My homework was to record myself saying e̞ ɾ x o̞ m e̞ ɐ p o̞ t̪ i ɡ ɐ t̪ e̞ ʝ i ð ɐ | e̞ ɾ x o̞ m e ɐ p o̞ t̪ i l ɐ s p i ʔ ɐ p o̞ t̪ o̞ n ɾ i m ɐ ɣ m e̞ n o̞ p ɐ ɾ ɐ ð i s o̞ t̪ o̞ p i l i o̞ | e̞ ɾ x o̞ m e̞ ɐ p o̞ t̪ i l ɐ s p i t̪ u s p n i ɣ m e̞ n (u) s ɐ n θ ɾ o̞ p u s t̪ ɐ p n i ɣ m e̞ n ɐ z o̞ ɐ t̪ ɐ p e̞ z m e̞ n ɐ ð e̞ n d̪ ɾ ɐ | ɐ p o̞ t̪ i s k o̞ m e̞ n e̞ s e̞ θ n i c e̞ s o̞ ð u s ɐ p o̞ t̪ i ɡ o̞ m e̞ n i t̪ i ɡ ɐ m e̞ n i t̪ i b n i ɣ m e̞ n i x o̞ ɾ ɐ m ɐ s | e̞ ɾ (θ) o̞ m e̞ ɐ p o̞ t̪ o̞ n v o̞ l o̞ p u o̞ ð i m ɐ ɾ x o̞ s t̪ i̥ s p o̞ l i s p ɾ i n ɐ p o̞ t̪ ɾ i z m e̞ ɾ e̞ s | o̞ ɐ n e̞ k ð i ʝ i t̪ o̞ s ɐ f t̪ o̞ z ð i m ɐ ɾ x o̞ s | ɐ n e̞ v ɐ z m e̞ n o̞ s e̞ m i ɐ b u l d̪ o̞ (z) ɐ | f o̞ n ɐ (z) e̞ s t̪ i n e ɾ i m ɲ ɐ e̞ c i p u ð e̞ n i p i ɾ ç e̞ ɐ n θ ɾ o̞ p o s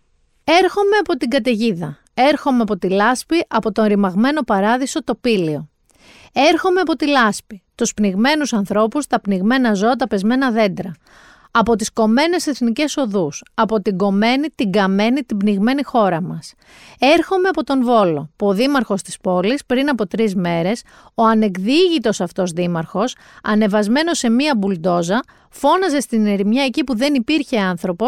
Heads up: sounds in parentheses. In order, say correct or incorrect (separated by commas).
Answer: correct, incorrect, correct, correct